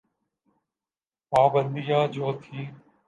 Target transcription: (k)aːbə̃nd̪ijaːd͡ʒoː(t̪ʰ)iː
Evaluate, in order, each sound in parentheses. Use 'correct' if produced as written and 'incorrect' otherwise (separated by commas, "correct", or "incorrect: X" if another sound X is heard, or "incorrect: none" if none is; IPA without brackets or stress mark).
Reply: incorrect: p, correct